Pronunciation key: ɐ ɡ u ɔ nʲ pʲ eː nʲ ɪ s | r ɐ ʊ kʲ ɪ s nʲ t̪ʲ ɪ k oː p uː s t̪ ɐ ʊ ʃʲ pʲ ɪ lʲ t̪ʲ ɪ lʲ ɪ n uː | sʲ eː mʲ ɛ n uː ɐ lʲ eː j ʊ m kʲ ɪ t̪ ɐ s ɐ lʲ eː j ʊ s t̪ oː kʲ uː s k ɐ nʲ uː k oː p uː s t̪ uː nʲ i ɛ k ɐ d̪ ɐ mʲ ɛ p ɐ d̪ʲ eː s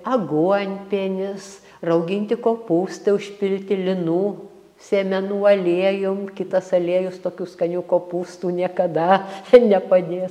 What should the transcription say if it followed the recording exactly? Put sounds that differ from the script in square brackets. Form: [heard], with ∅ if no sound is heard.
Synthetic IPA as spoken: ɐ ɡ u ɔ nʲ pʲ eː nʲ ɪ s | r ɐ ʊ [ɡʲ] ɪ [∅] nʲ t̪ʲ ɪ k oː p uː s t̪ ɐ ʊ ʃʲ pʲ ɪ lʲ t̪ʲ ɪ lʲ ɪ n uː | sʲ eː mʲ ɛ n uː ɐ lʲ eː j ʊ m kʲ ɪ t̪ ɐ s ɐ lʲ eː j ʊ s t̪ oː kʲ uː s k ɐ nʲ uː k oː p uː s t̪ uː nʲ i ɛ k ɐ d̪ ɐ [nʲ] ɛ p ɐ d̪ʲ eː s